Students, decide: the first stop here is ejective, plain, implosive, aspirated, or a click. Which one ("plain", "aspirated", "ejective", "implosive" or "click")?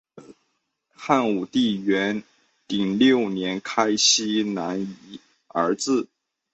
plain